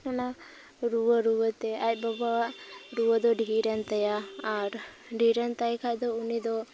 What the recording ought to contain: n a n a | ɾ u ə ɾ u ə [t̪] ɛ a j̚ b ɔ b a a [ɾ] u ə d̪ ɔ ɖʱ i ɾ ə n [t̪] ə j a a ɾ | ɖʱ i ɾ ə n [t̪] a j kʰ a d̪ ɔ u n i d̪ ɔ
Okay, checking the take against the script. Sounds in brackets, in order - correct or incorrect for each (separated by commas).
correct, correct, correct, correct